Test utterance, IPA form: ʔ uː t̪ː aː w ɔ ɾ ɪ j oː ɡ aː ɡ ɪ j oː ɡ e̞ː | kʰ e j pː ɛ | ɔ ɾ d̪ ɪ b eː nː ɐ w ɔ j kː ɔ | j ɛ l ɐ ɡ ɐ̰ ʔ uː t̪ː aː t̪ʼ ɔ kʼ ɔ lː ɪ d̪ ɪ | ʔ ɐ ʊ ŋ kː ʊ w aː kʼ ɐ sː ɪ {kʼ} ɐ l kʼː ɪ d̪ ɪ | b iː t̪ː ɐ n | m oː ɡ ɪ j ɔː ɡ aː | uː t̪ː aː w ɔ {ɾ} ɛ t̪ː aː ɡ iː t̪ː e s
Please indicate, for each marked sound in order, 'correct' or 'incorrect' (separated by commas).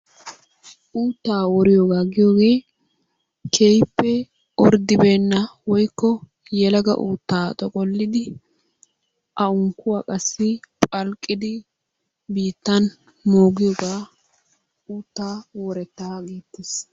incorrect, correct